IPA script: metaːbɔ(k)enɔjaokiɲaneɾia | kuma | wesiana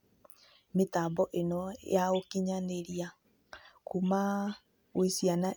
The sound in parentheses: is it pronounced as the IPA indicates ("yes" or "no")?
no